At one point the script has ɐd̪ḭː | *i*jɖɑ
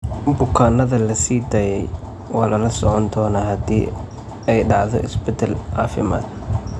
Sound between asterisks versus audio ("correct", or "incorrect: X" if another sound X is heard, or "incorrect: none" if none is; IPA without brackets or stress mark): incorrect: ɛ